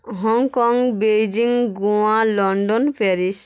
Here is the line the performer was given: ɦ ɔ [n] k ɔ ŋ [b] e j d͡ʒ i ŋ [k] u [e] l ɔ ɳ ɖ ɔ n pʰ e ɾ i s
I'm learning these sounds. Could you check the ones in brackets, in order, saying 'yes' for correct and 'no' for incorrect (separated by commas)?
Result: no, yes, no, no